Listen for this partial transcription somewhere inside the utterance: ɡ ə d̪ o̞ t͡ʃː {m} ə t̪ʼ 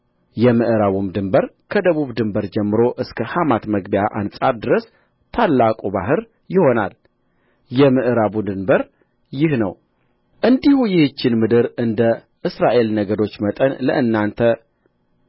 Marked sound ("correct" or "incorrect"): correct